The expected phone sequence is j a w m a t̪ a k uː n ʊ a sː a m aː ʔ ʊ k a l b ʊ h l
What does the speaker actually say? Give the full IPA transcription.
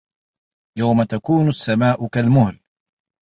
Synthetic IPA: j a w m a t̪ a k uː n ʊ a sː a m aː ʔ ʊ k a l m ʊ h l

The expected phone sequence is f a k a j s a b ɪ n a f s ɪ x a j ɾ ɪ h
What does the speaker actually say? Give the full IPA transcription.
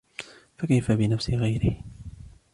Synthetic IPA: f a k a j f a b ɪ n a f s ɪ ɣ a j ɾ ɪ h

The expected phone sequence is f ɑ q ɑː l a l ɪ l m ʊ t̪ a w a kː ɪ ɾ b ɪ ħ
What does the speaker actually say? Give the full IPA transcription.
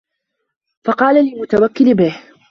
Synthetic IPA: f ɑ q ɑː l a l ɪ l m ʊ t̪ a w a kː ɪ l b ɪ h

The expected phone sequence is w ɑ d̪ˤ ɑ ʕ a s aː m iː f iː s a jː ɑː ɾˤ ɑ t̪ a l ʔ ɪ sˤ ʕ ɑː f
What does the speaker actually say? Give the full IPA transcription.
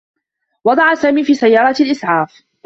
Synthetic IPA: w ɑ d̪ˤ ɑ ʕ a s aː m iː f iː s a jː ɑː ɾˤ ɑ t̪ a l ʔ ɪ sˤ ʕ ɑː f

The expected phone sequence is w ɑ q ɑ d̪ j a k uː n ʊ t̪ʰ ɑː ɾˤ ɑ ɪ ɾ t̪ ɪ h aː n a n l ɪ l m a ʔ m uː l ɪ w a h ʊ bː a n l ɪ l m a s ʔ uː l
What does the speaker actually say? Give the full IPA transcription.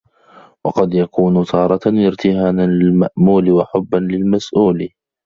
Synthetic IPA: w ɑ q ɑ d̪ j a k uː n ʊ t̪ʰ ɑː ɾˤ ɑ ɪ ɾ t̪ ɪ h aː n a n l ɪ l m a ʔ m uː l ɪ w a ħ ʊ bː a n l ɪ l m a s ʔ uː l

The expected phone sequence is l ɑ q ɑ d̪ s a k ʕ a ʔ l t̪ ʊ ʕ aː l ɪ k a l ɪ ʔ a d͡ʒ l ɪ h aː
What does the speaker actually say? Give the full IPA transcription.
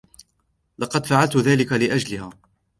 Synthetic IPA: l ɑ q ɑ d̪ f a ʕ a l t̪ ʊ ð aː l ɪ k a l ɪ ʔ a d͡ʒ l ɪ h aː

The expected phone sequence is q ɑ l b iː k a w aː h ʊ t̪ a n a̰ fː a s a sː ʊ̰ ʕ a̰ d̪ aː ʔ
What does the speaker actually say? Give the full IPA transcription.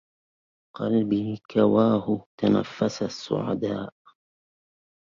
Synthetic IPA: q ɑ l b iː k a w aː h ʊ t̪ a n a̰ fː a s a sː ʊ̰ ʕ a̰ d̪ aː ʔ

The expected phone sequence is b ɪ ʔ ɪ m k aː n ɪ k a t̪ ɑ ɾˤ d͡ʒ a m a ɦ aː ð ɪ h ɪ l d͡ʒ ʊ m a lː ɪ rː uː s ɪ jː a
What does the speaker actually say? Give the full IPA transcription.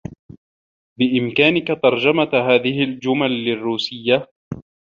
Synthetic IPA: b ɪ ʔ ɪ m k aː n ɪ k a t̪ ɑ ɾˤ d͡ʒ a m a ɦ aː ð ɪ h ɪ l d͡ʒ ʊ m a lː ɪ rː uː s ɪ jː a

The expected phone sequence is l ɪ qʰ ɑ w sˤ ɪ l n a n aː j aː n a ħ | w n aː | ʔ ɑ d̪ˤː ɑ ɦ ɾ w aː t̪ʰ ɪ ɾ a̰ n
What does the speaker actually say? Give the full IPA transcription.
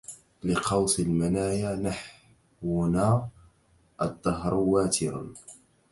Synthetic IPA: l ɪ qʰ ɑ w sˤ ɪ l m a n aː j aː n a ħ | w n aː | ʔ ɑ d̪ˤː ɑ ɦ ɾ w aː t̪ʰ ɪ ɾ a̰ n

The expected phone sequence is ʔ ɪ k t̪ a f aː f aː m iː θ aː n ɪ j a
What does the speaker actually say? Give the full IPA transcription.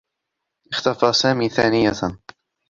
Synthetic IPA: ʔ ɪ x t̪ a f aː s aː m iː θ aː n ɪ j a

